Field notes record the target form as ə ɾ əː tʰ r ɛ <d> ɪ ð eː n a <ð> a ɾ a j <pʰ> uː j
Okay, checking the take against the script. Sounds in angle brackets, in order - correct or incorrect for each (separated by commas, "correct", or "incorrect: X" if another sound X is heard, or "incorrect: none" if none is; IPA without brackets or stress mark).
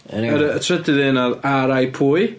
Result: correct, correct, correct